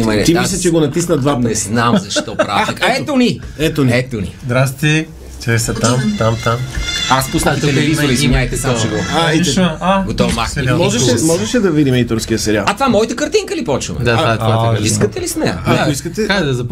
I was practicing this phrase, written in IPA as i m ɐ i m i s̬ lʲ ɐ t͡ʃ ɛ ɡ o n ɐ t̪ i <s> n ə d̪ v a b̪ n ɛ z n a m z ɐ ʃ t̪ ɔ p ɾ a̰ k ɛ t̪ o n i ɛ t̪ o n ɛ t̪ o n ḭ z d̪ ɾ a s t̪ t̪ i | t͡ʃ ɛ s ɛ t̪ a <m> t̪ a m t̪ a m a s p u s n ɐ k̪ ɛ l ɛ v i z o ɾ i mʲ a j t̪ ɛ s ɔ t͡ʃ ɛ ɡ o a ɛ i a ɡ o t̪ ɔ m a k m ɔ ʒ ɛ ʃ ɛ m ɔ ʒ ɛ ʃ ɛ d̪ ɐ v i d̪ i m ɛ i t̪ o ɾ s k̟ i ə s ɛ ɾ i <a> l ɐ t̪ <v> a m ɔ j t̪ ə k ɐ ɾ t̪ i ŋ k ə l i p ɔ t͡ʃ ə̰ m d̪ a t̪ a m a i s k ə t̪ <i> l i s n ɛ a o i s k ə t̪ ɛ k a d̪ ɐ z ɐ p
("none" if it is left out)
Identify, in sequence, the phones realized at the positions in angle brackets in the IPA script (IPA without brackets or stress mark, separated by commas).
s, m, a, v, ɛ